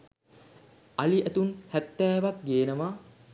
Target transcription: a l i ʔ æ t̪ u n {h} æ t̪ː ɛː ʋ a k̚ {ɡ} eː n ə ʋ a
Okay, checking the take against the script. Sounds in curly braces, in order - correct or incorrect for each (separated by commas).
correct, correct